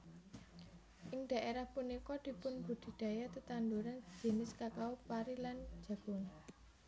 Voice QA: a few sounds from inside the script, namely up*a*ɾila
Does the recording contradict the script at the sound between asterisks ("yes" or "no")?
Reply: no